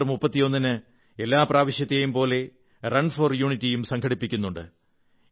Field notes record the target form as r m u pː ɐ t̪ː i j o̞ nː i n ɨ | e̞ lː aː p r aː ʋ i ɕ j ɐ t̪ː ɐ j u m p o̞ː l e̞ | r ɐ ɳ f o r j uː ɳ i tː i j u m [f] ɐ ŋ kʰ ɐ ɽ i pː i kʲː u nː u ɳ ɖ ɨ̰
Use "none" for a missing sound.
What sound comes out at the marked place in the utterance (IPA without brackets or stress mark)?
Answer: s